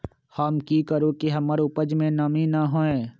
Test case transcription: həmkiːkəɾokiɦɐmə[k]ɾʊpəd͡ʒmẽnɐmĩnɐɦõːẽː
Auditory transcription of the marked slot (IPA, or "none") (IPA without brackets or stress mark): none